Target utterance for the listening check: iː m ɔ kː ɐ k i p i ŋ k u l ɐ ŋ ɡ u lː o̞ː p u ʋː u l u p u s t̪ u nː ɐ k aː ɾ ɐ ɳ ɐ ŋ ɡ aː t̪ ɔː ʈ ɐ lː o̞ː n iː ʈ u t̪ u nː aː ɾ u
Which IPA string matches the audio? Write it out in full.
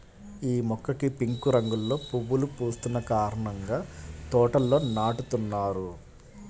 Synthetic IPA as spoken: iː m ɔ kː ɐ k i p i ŋ k u ɾ ɐ ŋ ɡ u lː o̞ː p u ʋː u l u p uː s t̪ u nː ɐ k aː ɾ ɐ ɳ ɐ ŋ ɡ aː t̪ ɔː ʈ ɐ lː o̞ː n aː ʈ u t̪ u nː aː ɾ u